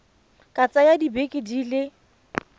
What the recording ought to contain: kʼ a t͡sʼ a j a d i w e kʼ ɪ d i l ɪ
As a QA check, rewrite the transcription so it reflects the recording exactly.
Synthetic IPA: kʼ a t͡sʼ a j a d i b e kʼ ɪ d i l ɪ

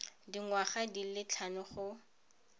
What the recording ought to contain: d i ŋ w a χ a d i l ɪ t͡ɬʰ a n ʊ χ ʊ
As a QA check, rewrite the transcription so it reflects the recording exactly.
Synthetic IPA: d i ŋ w a χ a d i l ɪ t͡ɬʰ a n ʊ χ ʊ

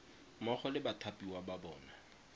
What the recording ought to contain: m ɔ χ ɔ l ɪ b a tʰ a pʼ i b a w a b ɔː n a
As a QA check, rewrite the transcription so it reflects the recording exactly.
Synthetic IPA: m ɔ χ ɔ l ɪ b a tʰ a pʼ i w a b a b ɔː n a

